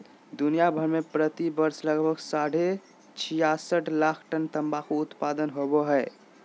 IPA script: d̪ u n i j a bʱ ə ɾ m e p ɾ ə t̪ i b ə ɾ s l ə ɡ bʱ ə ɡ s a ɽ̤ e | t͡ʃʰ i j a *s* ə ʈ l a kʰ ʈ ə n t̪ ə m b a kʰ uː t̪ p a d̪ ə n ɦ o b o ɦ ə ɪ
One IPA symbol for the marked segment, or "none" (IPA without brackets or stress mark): s